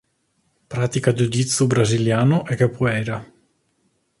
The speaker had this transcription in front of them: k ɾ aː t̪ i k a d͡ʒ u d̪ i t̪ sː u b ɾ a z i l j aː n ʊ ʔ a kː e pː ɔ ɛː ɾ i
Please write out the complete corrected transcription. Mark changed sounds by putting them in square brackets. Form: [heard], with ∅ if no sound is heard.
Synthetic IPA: [p] ɾ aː t̪ i k a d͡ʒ u d̪ i t̪ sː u b ɾ a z i l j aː n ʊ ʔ [ɛ] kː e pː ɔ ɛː ɾ [a]